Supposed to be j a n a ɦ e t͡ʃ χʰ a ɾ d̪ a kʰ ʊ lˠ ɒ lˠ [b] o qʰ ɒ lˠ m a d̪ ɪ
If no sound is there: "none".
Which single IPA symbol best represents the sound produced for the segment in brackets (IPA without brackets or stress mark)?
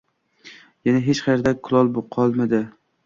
b